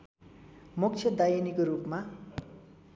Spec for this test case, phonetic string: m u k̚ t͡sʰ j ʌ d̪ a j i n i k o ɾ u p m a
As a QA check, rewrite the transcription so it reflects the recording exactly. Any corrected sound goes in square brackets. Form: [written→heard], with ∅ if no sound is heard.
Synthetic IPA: m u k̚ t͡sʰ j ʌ d̪ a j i n i k o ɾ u p m a